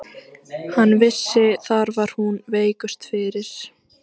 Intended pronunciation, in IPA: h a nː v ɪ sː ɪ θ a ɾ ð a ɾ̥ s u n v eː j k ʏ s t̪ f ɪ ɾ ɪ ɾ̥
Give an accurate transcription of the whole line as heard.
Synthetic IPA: h a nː v ɪ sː ɪ θ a ɾ v a ɾ̥ h u n v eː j k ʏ s t̪ f ɪ ɾ ɪ ɾ̥